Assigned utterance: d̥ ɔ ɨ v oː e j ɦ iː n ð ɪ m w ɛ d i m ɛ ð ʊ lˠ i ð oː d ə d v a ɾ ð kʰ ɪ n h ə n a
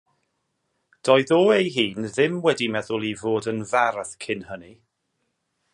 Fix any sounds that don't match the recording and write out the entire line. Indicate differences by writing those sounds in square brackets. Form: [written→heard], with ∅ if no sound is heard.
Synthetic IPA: d̥ ɔ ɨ [v→ð] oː e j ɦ iː n ð ɪ m w ɛ d i m ɛ ð ʊ lˠ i [ð→v] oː d ə [d→n] v a ɾ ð kʰ ɪ n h ə n [a→i]